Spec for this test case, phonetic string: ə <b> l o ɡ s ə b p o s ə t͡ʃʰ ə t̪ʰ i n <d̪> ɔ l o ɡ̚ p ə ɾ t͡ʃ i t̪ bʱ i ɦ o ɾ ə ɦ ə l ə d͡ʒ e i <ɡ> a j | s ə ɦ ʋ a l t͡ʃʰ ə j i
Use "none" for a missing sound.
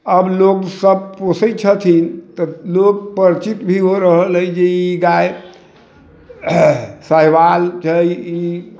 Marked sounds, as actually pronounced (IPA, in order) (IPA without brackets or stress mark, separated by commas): b, t̪, ɡ